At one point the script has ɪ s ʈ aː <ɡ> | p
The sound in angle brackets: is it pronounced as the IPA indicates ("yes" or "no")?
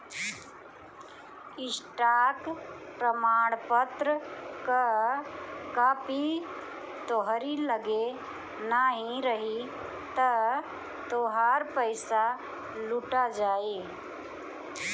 no